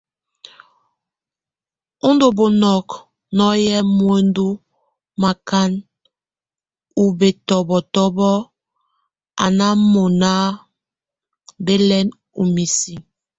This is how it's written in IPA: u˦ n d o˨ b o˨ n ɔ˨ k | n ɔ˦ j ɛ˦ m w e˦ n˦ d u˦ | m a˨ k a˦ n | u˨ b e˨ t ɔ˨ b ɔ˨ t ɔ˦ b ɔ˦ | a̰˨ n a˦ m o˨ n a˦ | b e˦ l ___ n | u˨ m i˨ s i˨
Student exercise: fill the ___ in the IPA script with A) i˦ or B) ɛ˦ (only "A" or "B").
B